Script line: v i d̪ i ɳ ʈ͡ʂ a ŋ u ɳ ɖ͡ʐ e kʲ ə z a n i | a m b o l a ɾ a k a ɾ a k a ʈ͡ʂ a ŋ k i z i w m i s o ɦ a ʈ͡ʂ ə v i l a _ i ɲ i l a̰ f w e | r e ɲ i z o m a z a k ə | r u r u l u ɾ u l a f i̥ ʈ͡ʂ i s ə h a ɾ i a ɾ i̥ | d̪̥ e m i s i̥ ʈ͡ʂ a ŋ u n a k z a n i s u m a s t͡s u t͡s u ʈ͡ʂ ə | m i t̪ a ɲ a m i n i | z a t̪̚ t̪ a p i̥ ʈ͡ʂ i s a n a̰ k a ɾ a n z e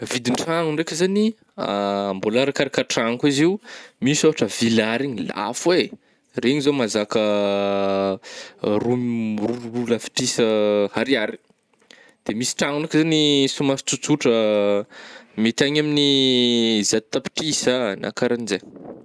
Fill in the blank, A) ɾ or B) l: A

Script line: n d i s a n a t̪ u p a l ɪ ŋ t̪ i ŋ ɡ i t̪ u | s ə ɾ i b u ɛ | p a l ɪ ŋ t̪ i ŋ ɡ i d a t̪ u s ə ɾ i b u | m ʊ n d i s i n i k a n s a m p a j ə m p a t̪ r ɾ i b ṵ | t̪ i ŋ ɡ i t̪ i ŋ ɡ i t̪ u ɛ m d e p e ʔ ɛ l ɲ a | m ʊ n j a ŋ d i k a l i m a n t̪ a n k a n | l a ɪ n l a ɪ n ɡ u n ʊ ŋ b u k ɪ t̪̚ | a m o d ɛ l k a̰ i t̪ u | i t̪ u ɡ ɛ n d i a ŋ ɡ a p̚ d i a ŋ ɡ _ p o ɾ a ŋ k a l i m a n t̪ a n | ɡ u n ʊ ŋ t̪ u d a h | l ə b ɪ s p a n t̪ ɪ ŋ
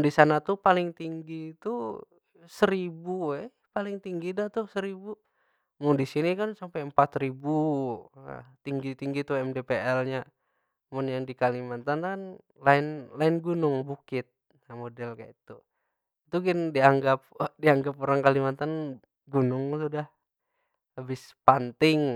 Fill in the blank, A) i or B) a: B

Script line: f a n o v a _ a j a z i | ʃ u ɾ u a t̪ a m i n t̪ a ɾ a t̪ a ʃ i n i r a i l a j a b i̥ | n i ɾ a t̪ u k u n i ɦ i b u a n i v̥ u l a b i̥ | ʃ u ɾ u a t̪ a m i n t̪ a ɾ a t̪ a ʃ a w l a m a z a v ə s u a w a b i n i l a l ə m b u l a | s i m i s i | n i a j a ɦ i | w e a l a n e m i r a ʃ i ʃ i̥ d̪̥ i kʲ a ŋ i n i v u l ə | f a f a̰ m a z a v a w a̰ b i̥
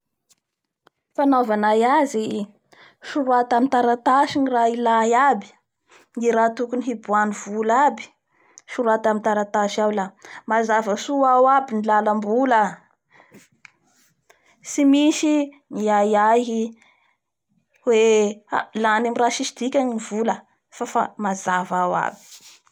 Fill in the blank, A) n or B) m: A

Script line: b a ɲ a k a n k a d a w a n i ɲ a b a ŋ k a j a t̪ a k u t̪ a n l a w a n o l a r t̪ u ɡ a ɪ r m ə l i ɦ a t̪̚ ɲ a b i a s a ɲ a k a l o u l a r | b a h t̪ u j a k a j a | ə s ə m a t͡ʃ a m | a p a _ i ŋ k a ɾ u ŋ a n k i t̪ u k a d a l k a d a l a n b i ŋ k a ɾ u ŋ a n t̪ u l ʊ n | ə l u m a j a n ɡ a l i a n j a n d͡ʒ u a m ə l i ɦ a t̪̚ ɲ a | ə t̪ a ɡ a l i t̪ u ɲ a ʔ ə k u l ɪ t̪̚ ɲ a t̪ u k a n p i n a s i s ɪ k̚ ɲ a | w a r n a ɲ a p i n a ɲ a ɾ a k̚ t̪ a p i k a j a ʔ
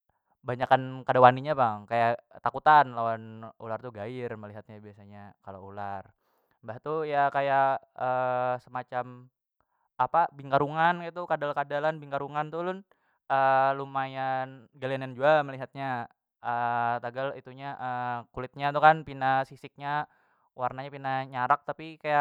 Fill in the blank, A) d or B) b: B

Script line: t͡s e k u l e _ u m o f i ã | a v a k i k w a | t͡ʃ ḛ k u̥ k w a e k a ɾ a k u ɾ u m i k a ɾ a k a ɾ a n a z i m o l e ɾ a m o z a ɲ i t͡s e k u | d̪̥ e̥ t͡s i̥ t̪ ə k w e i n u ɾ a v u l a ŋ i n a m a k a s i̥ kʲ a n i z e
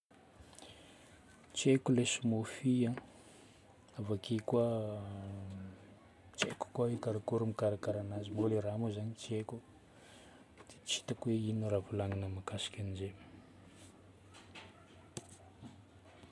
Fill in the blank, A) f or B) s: B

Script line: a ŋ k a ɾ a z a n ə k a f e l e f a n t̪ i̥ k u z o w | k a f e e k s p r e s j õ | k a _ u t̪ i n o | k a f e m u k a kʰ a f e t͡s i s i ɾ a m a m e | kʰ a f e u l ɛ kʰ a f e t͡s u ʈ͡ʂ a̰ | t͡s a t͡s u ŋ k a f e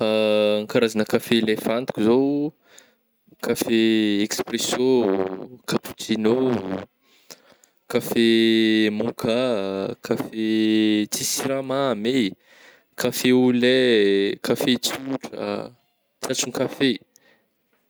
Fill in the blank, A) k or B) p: B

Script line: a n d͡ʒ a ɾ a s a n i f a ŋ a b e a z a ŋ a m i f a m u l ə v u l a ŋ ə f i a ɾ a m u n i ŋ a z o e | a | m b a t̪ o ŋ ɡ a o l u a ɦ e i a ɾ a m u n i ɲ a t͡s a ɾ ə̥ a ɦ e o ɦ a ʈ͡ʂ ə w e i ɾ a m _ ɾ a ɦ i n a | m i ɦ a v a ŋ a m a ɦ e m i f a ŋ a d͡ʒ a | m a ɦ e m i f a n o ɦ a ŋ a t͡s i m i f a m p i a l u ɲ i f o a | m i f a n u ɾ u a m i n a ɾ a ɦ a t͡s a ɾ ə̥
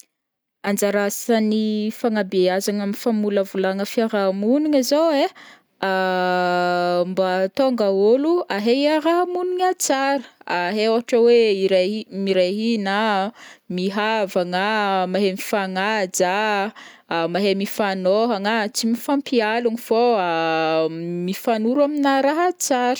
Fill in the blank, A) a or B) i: B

